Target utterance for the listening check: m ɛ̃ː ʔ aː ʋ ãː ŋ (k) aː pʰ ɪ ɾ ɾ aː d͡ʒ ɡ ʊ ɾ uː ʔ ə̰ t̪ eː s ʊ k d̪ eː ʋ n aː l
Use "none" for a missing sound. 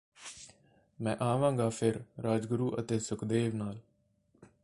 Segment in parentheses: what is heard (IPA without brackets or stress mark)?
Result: ɡ